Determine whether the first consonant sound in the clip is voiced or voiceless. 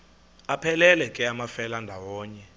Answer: voiceless